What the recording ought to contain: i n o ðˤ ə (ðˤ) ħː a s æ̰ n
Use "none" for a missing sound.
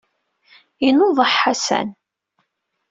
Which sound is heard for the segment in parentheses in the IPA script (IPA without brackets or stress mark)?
none